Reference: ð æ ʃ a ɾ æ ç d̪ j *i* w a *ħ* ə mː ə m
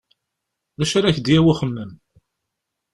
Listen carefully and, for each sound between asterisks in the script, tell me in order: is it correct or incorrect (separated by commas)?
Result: incorrect, incorrect